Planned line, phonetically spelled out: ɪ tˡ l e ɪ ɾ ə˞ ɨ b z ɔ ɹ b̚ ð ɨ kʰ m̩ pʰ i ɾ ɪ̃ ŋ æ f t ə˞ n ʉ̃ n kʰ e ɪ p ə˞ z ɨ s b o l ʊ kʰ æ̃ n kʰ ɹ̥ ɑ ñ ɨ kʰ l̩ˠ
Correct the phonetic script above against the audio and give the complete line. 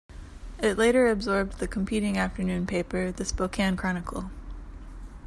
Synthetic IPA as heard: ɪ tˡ l e ɪ ɾ ə˞ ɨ b z ɔ ɹ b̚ ð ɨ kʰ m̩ pʰ i ɾ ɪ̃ ŋ æ f t ə˞ n ʉ̃ n pʰ e ɪ p ə˞ ð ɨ s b o ʊ kʰ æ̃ n kʰ ɹ̥ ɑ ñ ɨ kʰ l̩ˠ